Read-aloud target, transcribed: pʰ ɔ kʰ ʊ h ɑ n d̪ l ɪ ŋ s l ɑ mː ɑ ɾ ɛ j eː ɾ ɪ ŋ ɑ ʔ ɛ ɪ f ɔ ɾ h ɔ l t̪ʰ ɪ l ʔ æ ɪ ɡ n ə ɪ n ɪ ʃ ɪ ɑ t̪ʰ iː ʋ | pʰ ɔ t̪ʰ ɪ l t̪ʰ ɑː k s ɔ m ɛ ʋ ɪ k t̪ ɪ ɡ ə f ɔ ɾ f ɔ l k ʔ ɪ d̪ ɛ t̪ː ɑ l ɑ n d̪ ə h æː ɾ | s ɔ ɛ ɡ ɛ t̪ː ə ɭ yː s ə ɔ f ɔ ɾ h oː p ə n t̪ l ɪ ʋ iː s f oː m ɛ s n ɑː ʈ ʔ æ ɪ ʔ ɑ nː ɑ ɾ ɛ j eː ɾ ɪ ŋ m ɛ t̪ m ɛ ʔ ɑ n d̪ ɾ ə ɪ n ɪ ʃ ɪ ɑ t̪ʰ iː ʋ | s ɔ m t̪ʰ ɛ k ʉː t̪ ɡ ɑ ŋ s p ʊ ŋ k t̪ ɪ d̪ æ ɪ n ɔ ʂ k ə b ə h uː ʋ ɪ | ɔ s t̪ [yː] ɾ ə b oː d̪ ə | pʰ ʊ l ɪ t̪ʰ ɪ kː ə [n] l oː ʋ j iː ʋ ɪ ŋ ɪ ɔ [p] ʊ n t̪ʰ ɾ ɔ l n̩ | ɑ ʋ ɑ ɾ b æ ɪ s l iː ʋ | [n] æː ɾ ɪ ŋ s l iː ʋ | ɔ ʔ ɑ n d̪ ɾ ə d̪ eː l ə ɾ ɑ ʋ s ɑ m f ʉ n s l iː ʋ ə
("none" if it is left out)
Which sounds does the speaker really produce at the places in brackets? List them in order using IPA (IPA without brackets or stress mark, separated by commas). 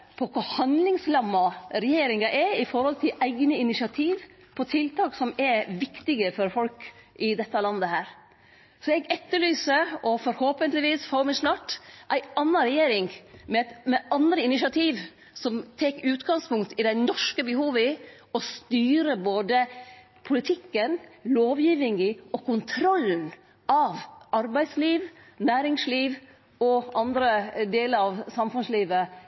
yː, n, k, n